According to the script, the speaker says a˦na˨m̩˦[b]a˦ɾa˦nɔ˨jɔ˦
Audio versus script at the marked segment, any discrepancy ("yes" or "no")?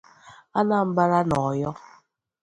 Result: no